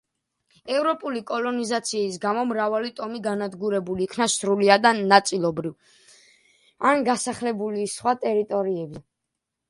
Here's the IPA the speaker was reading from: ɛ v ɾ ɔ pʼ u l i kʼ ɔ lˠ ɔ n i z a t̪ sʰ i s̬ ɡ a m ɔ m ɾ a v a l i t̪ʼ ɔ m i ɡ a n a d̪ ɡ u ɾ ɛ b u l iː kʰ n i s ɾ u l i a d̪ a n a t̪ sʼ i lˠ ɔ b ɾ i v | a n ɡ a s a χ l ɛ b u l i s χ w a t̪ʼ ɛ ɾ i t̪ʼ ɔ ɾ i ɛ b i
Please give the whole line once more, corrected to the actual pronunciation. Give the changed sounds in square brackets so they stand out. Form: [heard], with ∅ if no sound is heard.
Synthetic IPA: ɛ v ɾ ɔ pʼ u l i kʼ ɔ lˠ ɔ n i z a t̪ sʰ [iː] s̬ ɡ a m ɔ m ɾ a v a l i t̪ʼ ɔ m i ɡ a n a d̪ ɡ u ɾ ɛ b u l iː kʰ n [a] s ɾ u l i a d̪ a n a t̪ sʼ i lˠ ɔ b ɾ i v | a n ɡ a s a χ l ɛ b u l i s χ w a t̪ʼ ɛ ɾ i t̪ʼ ɔ ɾ i ɛ b i